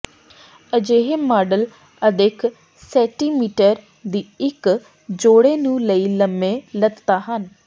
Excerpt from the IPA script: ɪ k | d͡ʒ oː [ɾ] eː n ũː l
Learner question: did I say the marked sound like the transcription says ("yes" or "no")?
no